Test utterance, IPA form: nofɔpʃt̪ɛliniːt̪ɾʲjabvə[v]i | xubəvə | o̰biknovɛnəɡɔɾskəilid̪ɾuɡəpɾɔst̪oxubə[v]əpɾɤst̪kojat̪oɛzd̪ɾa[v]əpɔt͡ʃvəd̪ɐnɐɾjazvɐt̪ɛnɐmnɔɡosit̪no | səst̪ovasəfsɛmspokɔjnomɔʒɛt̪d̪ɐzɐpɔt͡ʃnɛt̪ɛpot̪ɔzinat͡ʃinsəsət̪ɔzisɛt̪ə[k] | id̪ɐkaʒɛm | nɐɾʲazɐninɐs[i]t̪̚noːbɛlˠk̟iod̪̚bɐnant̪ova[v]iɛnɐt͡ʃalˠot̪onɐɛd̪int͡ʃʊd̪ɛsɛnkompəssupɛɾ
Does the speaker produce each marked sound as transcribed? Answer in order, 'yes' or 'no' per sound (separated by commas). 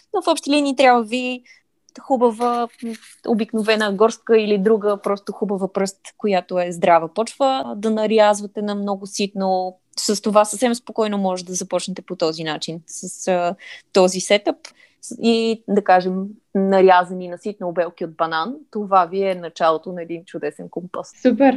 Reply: yes, yes, yes, no, yes, yes